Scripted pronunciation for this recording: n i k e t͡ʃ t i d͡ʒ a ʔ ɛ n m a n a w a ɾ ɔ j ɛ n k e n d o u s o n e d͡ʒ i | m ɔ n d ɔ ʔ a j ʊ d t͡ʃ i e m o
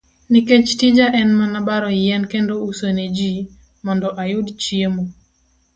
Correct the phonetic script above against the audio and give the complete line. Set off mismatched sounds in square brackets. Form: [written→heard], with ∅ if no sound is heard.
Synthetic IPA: n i k e t͡ʃ t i d͡ʒ a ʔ ɛ n m a n a [w→b] a ɾ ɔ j ɛ n k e n d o u s o n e d͡ʒ i | m ɔ n d ɔ ʔ a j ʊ d t͡ʃ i e m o